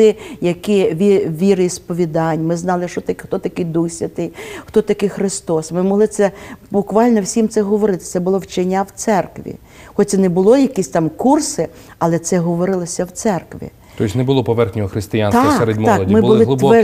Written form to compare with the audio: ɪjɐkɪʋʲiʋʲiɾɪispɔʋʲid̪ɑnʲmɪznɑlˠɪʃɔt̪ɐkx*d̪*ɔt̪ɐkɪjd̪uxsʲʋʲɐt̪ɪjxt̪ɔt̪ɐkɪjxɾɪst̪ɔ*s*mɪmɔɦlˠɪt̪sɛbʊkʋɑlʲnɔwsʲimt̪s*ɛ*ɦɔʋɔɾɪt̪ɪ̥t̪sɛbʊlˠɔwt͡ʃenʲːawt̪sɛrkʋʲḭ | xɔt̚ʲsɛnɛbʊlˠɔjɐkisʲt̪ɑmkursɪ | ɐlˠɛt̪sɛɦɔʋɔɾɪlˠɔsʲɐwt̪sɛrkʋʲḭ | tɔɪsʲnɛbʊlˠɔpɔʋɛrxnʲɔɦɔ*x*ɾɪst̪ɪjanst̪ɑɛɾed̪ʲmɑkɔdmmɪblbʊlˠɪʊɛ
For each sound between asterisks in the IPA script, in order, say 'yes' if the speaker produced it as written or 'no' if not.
no, yes, yes, yes

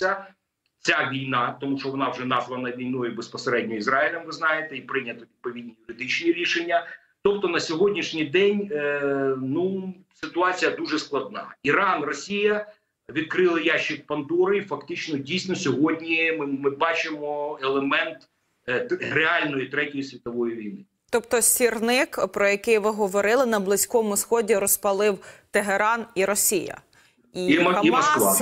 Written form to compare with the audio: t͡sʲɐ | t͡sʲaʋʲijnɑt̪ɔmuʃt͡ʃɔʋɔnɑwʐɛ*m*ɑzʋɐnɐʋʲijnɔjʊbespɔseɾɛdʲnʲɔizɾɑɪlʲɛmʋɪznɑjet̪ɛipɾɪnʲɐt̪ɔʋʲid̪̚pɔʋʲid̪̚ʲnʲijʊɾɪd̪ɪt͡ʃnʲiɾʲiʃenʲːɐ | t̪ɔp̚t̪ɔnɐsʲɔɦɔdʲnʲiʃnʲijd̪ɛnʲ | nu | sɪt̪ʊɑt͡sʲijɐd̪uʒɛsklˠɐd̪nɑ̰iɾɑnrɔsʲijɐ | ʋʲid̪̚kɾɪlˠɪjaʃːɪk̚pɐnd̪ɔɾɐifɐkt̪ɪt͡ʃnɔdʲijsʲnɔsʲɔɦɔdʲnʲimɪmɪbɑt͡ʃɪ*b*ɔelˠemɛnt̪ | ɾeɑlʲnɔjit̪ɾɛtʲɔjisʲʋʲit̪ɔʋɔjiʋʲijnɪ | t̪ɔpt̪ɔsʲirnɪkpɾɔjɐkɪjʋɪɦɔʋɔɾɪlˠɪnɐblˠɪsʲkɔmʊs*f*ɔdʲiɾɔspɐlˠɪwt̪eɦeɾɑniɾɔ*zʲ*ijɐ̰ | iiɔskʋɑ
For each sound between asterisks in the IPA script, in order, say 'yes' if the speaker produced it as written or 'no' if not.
no, no, no, no

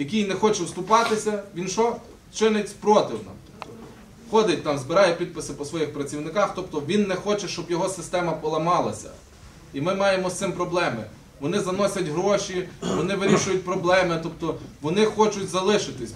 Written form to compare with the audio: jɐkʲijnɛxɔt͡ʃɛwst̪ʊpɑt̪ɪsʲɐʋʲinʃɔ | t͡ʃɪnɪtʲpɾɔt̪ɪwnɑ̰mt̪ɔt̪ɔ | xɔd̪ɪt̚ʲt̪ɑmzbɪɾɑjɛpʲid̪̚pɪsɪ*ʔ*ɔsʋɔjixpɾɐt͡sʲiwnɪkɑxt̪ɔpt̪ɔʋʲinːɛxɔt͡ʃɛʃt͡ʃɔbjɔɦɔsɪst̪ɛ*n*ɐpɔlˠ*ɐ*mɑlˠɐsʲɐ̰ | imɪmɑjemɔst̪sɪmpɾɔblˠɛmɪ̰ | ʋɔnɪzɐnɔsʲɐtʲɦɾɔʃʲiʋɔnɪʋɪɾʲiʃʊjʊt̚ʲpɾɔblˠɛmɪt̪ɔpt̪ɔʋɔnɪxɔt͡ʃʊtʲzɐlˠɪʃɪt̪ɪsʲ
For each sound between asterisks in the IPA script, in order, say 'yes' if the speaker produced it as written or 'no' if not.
no, no, yes

